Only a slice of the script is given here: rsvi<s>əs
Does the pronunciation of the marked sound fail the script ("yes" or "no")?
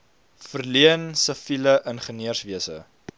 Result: yes